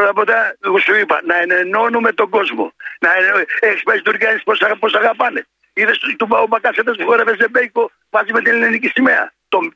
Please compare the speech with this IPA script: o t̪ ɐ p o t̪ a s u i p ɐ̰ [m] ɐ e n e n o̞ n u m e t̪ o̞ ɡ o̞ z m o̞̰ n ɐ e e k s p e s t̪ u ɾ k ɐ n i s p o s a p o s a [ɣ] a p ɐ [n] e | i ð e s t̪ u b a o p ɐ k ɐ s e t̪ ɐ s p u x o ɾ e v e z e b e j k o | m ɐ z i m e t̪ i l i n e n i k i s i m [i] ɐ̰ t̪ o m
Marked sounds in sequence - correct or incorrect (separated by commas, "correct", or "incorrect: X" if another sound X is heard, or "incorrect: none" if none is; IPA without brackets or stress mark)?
incorrect: n, correct, correct, incorrect: e